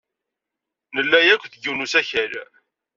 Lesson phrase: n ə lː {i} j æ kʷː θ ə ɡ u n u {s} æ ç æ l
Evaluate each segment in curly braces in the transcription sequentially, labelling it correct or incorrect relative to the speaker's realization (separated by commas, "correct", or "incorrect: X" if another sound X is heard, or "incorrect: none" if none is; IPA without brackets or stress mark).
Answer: incorrect: æ, correct